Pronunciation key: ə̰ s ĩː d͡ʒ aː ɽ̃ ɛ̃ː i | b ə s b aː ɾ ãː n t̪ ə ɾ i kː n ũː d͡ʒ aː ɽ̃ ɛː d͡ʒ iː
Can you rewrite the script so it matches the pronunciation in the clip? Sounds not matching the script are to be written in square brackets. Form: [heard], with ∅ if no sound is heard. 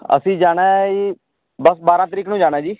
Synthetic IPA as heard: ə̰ s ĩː d͡ʒ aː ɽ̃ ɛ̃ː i | b ə s b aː ɾ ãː [∅] t̪ ə ɾ [iː] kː n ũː d͡ʒ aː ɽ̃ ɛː d͡ʒ iː